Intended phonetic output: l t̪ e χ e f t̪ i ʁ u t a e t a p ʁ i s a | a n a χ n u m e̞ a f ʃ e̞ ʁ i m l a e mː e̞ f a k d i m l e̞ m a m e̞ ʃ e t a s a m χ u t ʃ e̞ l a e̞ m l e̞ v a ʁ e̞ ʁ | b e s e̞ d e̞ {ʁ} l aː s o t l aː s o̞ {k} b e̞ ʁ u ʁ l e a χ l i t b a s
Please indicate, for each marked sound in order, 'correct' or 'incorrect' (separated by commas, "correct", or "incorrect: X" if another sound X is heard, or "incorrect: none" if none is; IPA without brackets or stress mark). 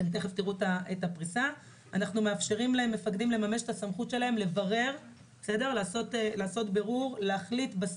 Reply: correct, incorrect: t